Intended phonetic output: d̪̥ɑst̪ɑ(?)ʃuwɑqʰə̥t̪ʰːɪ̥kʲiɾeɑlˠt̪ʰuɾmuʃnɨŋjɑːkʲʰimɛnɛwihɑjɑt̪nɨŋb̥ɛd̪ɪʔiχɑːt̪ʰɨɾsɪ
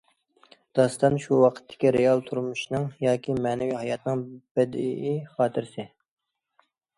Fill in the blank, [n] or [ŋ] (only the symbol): n